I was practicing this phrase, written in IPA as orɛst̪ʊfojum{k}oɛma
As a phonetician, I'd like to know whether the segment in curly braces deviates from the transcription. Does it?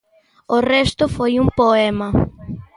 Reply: yes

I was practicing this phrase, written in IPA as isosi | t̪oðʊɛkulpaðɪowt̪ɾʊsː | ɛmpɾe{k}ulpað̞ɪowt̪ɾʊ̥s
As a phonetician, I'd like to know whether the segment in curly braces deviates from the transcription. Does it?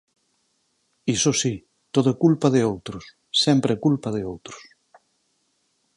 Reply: no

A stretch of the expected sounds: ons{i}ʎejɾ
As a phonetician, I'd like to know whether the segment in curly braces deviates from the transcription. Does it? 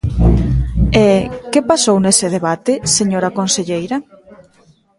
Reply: yes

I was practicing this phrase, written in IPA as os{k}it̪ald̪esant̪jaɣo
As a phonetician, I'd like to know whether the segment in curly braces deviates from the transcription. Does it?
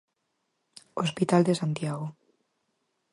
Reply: yes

